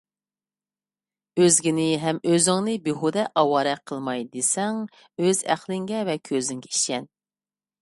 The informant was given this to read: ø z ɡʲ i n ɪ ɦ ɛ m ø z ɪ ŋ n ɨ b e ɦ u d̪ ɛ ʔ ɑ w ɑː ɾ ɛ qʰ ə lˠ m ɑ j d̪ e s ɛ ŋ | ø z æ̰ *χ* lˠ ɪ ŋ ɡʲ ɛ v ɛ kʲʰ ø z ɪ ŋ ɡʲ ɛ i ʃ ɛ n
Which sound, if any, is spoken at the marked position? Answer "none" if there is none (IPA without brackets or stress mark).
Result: χ